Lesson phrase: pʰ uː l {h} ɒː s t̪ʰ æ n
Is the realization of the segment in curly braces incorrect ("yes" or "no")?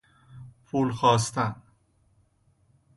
yes